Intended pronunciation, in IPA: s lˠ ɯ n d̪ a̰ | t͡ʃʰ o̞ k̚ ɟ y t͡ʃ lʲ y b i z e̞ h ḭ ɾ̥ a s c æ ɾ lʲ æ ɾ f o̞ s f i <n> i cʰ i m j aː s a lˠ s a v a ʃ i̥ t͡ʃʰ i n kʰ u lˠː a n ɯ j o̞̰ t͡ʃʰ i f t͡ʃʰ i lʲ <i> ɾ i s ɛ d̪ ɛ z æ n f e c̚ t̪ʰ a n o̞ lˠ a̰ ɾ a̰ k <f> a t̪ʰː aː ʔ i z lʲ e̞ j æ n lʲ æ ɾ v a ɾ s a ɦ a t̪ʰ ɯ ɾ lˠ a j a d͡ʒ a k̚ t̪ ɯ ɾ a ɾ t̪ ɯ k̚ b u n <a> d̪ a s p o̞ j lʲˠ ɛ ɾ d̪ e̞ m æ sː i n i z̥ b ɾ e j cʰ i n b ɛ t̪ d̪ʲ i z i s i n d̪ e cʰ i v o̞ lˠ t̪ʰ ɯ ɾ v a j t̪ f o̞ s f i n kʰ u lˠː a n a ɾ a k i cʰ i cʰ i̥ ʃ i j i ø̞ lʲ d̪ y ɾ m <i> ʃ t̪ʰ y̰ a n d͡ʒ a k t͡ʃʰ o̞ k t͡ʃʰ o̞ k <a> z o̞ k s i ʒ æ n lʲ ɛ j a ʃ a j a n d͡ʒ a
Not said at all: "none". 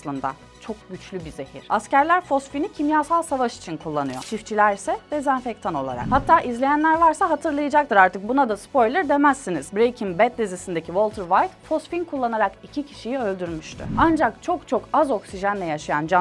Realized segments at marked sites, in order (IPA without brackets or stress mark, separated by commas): n, æ, h, a, y, a